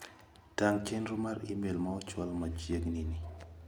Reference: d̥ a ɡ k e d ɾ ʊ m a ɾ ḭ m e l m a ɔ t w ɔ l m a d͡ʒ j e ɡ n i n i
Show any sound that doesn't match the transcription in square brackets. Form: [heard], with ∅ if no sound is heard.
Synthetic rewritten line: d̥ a [ŋ] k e [n] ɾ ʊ m a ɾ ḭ m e l m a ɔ [t͡ʃ] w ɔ l m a d͡ʒ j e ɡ n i n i

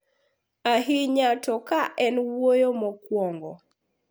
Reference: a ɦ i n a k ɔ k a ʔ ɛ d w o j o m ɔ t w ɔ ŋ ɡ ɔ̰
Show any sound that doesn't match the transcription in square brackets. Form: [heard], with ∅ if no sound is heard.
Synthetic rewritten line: a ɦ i [ɲ] a [t] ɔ k a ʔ ɛ [n] w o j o m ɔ [k] w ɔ ŋ ɡ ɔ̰

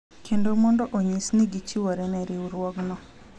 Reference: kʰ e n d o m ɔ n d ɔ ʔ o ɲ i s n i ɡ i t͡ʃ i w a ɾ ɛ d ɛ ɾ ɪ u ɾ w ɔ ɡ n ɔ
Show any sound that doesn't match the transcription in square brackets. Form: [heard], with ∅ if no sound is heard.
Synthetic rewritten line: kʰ e n d o m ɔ n d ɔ ʔ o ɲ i s n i ɡ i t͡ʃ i w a ɾ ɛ [n] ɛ ɾ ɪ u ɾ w ɔ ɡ n ɔ

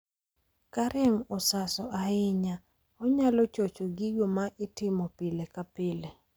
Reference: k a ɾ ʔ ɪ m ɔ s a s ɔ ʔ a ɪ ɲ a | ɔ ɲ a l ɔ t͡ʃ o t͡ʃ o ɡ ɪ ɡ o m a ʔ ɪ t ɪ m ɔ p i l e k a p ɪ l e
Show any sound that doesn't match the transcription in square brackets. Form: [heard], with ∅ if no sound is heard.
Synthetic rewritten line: k a ɾ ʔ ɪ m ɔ s a s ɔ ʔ a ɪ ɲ a | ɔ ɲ a l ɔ t͡ʃ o t͡ʃ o ɡ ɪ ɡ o m a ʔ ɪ t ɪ m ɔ p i l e k a p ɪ l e

